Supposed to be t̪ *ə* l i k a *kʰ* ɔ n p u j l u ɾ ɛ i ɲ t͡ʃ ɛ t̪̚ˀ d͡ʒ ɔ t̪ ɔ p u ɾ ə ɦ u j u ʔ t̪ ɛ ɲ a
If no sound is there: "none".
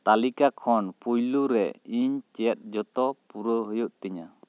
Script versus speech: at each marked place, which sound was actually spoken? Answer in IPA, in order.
a, kʰ

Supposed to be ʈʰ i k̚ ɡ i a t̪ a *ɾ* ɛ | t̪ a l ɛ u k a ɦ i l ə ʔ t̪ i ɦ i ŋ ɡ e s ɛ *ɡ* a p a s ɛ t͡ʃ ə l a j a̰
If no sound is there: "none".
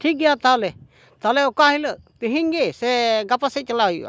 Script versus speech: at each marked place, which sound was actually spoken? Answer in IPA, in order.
l, ɡ

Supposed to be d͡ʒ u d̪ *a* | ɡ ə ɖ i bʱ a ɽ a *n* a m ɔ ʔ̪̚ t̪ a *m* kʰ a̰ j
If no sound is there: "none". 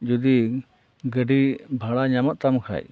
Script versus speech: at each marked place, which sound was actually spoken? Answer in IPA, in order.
i, ɲ, m

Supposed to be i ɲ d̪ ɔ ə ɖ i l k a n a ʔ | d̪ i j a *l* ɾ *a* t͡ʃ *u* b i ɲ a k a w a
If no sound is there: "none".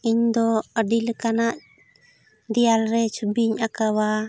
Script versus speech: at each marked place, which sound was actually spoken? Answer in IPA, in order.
l, ɛ, u

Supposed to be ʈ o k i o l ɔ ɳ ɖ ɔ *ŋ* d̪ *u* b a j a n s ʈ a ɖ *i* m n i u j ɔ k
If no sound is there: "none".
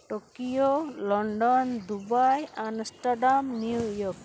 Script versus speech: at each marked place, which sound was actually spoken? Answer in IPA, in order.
n, u, a

